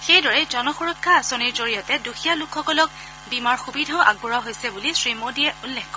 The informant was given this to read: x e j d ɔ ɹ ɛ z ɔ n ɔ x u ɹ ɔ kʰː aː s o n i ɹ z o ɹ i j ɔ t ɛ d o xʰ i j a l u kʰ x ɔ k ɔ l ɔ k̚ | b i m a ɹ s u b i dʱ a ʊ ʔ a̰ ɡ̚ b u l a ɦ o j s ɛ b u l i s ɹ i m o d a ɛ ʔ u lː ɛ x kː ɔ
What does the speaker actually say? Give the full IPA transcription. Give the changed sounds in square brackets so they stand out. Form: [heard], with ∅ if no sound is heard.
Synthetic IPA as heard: x e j d ɔ ɹ ɛ z ɔ n ɔ x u ɹ ɔ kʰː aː s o n i ɹ z o ɹ i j ɔ t ɛ d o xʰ i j a l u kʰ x ɔ k ɔ l ɔ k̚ | b i m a ɹ [x] u b i dʱ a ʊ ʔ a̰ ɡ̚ b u [ɹ] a ɦ o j s ɛ b u l i s ɹ i m o d [i] ɛ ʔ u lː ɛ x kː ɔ